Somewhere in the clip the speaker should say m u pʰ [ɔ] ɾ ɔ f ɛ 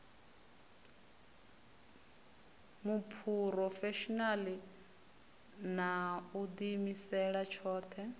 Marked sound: incorrect: u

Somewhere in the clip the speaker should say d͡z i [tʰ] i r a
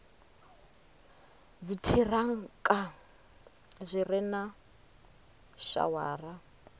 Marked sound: correct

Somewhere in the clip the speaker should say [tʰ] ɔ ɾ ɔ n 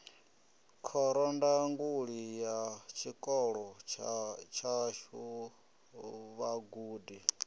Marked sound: incorrect: kʰ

